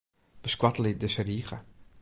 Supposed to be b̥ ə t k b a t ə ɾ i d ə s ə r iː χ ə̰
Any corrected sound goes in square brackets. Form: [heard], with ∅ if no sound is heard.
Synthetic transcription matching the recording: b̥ ə [s] k [w] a t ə [l] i d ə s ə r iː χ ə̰